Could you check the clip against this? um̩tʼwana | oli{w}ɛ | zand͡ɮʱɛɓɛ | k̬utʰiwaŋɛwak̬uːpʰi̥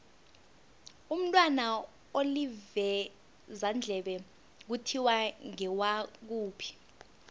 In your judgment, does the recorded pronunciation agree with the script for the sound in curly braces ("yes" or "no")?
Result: no